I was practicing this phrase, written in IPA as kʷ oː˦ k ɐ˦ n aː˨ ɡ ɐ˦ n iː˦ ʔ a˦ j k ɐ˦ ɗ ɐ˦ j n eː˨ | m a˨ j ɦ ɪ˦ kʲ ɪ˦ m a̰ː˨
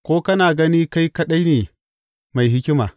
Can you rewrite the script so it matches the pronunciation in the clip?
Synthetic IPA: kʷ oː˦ k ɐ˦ n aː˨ ɡ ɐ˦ n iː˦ k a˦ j k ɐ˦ ɗ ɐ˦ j n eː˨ | m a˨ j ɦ ɪ˦ kʲ ɪ˦ m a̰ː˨